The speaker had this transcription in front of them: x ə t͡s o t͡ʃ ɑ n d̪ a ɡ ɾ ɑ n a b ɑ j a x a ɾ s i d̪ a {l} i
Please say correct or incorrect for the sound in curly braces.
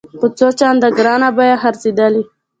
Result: correct